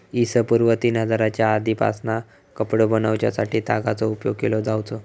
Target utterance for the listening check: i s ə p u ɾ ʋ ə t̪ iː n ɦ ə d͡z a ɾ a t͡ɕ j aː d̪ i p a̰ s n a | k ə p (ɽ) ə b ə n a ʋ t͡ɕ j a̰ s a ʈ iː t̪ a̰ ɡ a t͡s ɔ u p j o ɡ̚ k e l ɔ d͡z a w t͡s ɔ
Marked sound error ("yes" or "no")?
no